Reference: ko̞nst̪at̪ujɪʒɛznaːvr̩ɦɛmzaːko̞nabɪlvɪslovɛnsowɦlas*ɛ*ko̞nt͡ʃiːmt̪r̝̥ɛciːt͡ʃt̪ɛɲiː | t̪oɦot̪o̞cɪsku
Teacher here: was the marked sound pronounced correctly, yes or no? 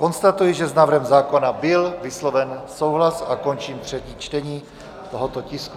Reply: no